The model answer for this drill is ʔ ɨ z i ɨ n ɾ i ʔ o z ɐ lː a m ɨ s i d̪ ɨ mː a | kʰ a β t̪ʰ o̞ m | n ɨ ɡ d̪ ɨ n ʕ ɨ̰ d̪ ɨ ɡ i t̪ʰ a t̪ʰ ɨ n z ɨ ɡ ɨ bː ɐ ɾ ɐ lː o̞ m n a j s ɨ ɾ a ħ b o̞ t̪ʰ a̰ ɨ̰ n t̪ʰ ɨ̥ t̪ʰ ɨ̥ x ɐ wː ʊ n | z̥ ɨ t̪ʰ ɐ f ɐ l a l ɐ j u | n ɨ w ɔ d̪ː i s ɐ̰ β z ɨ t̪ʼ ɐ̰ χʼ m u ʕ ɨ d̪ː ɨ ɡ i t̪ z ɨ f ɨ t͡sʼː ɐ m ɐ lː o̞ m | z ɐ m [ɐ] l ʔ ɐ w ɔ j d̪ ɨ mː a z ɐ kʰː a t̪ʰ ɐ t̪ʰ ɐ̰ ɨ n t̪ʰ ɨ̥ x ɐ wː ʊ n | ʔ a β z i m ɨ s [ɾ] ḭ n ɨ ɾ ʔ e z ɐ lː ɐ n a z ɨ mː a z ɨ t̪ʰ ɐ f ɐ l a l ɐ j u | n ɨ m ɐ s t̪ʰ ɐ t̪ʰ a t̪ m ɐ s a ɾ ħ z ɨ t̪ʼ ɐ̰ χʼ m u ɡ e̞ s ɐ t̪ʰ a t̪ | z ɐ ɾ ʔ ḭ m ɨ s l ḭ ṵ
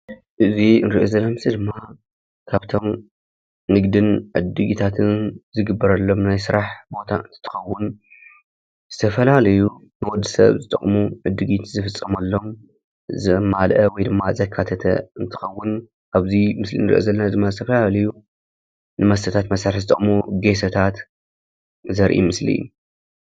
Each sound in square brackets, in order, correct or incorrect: incorrect: a, incorrect: l

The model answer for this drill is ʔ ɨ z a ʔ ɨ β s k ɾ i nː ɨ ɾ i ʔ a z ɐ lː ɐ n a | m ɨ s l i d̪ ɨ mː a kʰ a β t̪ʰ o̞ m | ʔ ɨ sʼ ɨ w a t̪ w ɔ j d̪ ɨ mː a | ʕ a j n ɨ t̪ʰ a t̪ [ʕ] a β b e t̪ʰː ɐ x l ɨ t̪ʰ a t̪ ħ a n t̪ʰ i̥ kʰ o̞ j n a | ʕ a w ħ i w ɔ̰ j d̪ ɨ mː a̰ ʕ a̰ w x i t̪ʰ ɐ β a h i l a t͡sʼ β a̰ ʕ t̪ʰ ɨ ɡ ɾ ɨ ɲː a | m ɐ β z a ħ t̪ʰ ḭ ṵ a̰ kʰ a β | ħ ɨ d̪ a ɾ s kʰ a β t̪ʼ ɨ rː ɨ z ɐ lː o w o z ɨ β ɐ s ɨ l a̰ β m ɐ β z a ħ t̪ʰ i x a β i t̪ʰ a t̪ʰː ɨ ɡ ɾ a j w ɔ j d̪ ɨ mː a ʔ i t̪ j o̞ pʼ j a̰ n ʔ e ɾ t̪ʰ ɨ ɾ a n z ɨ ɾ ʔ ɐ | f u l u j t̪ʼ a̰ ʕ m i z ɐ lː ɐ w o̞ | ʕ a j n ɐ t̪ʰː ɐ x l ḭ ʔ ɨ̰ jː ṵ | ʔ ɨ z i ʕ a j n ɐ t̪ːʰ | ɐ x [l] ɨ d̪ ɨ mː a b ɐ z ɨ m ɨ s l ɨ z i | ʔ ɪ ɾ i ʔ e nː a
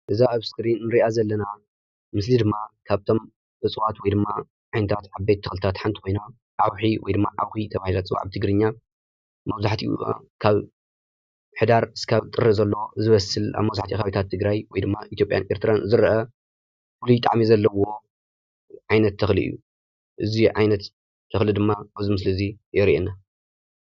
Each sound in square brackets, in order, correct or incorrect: correct, correct

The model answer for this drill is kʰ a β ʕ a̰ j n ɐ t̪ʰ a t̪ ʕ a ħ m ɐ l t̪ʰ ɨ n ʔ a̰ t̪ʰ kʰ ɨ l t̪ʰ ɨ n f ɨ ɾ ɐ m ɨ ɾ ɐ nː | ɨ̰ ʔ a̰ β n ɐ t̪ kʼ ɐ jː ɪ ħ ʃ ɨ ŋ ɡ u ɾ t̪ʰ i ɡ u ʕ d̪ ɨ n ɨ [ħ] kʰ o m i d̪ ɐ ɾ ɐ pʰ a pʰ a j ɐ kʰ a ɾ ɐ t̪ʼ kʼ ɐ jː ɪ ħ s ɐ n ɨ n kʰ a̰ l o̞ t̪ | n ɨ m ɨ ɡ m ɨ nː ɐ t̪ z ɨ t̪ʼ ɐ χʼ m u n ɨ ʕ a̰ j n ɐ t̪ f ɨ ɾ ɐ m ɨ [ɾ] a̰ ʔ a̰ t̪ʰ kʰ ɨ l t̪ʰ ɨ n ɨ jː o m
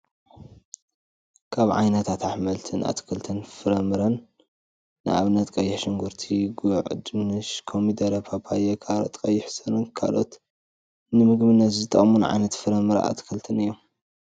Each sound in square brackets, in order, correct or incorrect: incorrect: ʃ, correct

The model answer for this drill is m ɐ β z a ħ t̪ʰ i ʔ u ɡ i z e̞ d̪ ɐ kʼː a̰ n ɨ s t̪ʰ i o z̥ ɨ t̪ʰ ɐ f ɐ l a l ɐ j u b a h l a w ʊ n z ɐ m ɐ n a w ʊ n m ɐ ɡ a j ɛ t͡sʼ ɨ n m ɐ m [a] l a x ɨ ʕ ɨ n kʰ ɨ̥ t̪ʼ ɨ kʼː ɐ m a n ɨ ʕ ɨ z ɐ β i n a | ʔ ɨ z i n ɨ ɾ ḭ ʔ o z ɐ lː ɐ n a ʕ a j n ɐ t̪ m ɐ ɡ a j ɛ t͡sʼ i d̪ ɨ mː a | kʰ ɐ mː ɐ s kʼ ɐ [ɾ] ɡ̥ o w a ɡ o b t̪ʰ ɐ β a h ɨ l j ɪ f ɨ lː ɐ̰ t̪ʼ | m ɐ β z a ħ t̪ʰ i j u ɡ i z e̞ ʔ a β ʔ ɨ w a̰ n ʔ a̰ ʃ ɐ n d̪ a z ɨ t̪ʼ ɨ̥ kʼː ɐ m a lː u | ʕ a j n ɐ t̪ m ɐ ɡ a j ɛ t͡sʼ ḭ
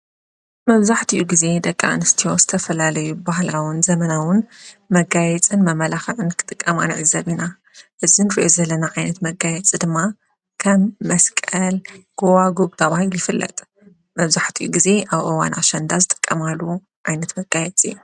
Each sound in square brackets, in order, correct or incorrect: incorrect: ɐ, incorrect: l

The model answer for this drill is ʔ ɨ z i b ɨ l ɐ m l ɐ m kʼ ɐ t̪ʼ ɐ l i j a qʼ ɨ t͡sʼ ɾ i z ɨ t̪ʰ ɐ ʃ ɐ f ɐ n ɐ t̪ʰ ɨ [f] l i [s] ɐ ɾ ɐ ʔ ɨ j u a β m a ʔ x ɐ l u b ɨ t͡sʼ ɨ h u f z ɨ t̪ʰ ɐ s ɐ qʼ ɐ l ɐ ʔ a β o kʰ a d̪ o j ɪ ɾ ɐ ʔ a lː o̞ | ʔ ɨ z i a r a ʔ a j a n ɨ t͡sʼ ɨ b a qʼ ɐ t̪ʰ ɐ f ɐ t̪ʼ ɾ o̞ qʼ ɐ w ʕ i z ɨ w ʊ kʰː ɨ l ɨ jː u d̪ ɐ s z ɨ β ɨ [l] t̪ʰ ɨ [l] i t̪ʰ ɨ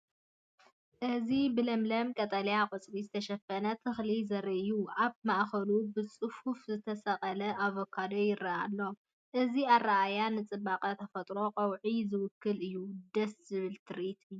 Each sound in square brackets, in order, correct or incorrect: incorrect: x, incorrect: z, correct, incorrect: ɾ

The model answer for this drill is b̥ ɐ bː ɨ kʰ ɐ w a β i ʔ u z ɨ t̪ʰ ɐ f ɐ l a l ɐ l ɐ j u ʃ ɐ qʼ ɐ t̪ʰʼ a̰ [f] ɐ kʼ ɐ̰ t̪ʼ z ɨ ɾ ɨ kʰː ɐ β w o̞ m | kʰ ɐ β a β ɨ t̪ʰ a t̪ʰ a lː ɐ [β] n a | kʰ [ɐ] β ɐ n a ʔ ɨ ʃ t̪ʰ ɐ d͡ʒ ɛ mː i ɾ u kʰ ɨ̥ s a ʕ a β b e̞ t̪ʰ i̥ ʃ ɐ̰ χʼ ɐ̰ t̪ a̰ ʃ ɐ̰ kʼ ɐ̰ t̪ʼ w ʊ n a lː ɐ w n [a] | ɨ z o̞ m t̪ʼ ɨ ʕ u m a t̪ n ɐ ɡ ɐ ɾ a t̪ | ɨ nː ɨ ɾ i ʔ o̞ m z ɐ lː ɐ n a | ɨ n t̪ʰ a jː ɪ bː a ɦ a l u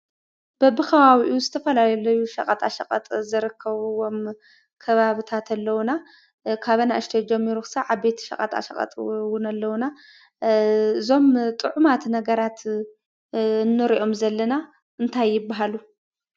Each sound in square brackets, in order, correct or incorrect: incorrect: ʃ, incorrect: w, incorrect: a, correct

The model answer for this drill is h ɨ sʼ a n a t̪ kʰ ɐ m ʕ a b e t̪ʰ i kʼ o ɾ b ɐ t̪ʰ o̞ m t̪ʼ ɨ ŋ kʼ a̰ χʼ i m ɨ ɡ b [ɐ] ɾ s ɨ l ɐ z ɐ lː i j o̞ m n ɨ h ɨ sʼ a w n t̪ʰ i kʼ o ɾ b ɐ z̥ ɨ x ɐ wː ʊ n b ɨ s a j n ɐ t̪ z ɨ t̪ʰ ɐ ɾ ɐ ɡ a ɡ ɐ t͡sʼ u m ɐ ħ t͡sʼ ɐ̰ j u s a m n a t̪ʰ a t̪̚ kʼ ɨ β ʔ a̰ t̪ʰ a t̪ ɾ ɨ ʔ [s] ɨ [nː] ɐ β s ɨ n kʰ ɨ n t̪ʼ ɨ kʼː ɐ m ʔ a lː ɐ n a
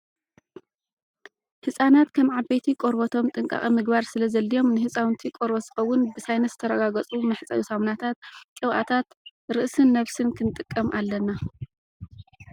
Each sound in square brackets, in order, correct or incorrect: incorrect: a, correct, correct

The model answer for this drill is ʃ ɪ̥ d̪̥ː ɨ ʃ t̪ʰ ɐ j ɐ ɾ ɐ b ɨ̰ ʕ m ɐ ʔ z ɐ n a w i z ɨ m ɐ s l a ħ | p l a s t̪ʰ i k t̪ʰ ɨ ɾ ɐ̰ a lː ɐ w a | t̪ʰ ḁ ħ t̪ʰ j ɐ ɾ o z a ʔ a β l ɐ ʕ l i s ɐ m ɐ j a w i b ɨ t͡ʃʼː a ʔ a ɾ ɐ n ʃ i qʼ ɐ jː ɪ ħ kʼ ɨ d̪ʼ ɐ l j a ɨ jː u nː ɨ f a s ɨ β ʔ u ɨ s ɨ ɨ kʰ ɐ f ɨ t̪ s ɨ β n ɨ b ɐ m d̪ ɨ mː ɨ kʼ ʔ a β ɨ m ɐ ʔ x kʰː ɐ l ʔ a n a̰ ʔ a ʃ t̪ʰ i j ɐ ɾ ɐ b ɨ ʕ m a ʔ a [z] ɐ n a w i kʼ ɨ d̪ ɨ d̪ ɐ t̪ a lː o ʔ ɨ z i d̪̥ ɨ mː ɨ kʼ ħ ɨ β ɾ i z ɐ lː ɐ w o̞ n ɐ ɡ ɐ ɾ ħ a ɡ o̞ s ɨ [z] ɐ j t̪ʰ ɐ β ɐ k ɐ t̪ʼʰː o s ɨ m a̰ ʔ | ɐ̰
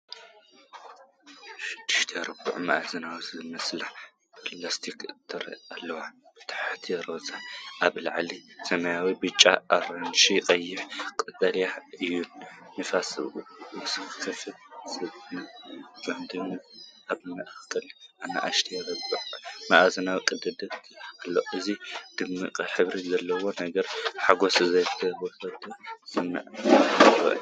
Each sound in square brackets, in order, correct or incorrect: correct, correct

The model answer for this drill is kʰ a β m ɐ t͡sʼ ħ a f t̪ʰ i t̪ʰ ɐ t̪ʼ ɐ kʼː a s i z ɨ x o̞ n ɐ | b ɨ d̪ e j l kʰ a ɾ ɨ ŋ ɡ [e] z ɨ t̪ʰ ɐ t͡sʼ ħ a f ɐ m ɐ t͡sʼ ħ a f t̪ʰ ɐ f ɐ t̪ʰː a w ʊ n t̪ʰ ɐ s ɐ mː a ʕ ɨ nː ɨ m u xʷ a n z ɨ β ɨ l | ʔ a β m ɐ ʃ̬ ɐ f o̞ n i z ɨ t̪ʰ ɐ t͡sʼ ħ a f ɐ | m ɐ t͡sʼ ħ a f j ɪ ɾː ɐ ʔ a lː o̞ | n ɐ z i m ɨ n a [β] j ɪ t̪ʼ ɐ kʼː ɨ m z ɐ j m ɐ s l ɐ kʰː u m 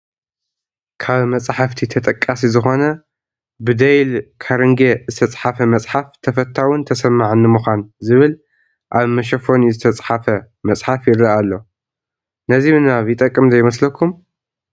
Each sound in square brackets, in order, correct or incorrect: correct, correct

